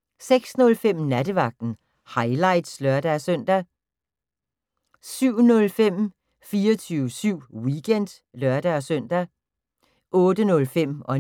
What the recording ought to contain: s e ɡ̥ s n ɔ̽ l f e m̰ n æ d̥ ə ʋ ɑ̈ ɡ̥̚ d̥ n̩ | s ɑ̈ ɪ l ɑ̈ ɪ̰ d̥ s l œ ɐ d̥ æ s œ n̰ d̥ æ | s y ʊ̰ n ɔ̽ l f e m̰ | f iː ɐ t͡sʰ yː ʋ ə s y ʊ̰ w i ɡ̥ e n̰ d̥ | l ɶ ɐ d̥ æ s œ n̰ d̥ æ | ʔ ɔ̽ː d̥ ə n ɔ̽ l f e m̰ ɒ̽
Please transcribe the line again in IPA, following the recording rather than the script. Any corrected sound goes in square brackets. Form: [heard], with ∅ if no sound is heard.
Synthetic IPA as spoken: s e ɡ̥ s n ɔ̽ l f e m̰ n æ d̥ ə ʋ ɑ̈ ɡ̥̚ d̥ n̩ | [h] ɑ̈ ɪ l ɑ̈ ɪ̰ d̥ s l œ ɐ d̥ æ s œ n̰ d̥ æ | s y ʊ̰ n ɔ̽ l f e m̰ | f iː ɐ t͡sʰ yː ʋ ə s y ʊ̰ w i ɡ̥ e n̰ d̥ | l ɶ ɐ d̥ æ s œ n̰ d̥ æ | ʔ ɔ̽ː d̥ ə n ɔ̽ l f e m̰ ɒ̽